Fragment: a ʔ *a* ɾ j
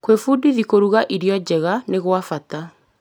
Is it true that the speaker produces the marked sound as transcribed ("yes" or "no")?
no